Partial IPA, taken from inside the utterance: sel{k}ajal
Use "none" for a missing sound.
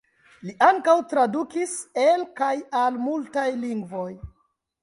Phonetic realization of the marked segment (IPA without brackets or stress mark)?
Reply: k